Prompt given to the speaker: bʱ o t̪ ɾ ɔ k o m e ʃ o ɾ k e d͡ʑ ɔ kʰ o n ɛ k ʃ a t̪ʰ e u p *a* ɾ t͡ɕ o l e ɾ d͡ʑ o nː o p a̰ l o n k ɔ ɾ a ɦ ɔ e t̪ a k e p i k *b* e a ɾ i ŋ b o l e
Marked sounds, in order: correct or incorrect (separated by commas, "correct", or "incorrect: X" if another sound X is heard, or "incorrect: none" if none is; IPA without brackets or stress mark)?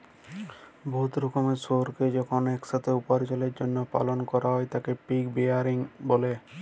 correct, correct